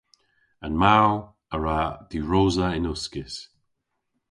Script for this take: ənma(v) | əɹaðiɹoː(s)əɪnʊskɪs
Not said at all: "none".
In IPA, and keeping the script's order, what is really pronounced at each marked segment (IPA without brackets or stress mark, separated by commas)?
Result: w, z